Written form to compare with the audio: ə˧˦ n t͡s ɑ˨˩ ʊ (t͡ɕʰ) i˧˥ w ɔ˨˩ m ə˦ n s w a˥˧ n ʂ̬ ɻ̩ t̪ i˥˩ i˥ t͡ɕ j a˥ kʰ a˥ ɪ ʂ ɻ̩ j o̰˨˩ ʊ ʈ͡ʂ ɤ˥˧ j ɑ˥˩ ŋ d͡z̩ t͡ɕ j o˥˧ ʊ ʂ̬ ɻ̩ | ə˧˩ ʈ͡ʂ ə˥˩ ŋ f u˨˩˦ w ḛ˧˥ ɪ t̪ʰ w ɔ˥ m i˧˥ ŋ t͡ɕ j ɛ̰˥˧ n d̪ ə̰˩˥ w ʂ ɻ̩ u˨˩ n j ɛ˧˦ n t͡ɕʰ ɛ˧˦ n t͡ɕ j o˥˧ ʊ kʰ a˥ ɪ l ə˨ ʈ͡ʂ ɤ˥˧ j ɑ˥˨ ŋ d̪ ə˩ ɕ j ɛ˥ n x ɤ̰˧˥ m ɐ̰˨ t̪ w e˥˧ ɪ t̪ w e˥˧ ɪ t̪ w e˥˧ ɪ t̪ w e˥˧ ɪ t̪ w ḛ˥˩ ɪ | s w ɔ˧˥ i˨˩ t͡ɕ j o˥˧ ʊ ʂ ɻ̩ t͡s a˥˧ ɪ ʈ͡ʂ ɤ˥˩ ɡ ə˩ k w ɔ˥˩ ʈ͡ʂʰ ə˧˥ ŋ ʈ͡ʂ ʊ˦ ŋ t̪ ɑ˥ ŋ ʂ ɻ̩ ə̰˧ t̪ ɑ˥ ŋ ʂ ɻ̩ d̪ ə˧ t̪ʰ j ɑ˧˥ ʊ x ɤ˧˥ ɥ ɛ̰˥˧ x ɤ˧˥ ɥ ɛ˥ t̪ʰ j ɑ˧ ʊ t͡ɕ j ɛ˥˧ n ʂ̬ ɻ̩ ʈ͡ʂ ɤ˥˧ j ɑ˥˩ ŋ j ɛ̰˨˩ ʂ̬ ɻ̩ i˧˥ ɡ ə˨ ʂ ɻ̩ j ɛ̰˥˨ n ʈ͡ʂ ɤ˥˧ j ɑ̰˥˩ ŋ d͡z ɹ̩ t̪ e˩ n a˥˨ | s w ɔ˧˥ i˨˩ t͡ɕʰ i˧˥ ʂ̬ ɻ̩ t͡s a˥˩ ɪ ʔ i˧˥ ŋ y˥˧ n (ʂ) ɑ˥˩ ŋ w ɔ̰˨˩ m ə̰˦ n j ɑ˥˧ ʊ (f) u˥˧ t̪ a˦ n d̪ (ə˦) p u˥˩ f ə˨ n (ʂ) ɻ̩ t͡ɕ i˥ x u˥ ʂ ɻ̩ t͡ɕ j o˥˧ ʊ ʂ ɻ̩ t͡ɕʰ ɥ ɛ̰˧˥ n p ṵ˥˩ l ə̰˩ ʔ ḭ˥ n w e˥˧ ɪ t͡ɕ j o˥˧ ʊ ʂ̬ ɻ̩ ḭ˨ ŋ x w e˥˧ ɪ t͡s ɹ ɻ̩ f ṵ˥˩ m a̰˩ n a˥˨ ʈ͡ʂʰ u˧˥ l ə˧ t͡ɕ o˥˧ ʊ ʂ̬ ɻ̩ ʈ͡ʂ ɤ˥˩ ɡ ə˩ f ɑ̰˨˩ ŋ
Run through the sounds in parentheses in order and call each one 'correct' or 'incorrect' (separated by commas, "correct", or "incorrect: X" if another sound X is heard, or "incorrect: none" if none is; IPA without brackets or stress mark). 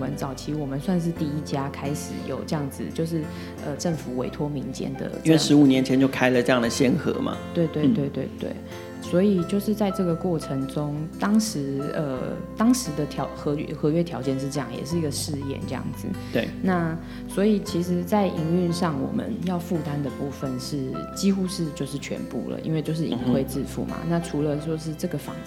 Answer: correct, correct, correct, incorrect: ə˨, correct